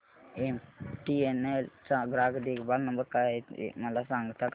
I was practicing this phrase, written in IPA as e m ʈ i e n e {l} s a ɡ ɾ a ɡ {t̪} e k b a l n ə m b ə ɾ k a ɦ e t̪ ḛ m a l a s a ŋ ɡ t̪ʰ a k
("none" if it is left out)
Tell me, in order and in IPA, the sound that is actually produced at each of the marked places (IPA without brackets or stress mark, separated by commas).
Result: l, d̪